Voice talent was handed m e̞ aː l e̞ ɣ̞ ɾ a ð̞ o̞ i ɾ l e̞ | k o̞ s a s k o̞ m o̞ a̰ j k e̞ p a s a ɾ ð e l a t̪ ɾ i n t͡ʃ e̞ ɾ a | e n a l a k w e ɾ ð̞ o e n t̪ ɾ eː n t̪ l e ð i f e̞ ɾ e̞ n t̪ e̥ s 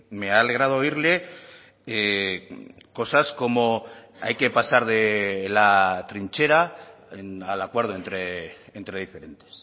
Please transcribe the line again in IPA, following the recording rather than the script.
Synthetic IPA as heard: m e̞ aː l e̞ ɣ̞ ɾ a ð̞ o̞ i ɾ l e̞ | k o̞ s a s k o̞ m o̞ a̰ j k e̞ p a s a ɾ ð e l a t̪ ɾ i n t͡ʃ e̞ ɾ a | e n a l a k w e ɾ ð̞ o e n t̪ ɾ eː n t̪ ɾ e ð i f e̞ ɾ e̞ n t̪ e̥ s